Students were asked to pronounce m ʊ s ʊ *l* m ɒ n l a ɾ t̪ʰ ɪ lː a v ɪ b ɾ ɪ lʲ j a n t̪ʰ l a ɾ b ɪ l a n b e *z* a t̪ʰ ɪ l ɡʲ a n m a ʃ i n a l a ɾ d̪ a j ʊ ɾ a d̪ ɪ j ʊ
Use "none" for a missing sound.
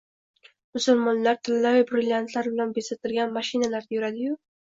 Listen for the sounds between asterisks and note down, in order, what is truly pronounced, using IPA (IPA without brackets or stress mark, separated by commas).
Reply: l, s